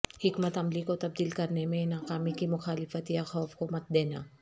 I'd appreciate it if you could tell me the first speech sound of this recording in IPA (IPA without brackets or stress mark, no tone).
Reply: h